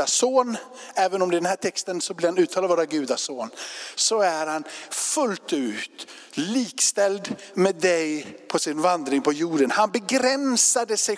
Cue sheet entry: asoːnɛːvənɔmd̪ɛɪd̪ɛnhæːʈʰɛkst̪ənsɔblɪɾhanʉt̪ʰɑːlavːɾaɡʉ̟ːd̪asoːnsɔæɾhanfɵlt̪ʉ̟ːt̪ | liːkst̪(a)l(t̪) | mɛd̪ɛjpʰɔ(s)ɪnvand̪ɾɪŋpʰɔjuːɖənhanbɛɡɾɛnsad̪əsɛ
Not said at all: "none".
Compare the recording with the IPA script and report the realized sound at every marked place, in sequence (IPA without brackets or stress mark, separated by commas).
ɛ, d̪, s